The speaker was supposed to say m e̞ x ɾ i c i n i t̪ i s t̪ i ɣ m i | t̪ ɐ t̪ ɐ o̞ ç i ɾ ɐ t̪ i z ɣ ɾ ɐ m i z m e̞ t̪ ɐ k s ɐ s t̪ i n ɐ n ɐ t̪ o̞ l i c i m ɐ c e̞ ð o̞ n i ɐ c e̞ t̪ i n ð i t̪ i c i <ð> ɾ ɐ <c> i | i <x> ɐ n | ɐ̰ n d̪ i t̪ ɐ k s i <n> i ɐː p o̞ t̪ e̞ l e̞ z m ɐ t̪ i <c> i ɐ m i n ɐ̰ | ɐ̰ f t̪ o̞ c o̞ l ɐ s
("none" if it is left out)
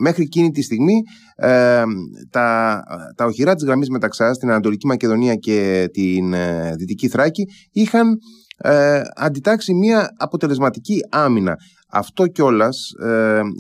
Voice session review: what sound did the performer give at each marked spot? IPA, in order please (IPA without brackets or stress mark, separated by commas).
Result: θ, c, x, m, c